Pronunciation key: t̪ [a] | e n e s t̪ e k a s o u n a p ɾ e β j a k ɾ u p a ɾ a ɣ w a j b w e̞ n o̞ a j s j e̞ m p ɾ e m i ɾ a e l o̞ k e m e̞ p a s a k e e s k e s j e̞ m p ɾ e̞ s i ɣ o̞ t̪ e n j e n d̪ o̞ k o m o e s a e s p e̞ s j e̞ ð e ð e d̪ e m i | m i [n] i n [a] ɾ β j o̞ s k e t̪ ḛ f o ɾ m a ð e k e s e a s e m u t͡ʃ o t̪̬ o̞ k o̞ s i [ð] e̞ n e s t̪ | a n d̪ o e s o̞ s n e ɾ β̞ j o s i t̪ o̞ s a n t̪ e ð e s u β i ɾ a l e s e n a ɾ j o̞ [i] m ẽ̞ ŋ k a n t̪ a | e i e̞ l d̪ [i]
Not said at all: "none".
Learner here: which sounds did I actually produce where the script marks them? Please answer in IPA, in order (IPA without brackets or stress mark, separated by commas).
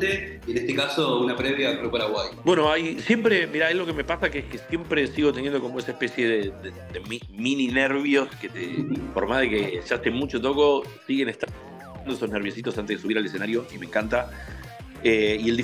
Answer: e, n, e, ɣ, i, i